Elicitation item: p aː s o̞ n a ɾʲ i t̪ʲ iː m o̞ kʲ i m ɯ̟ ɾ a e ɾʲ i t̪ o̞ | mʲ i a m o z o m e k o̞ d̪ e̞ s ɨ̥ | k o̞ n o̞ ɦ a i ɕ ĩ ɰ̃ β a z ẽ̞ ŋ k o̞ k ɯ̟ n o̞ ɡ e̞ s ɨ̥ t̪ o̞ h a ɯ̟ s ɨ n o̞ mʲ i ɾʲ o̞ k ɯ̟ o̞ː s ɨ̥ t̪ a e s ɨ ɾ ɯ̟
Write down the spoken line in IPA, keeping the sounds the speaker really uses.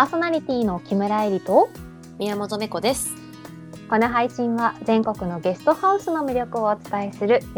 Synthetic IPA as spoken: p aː s o̞ n a ɾʲ i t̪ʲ iː n o̞ kʲ i m ɯ̟ ɾ a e ɾʲ i t̪ o̞ | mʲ i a m o z o m e k o̞ d̪ e̞ s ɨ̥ | k o̞ n o̞ ɦ a i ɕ ĩ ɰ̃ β a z ẽ̞ ŋ k o̞ k ɯ̟ n o̞ ɡ e̞ s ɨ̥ t̪ o̞ h a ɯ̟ s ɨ n o̞ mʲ i ɾʲ o̞ k ɯ̟ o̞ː t͡s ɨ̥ t̪ a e s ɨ ɾ ɯ̟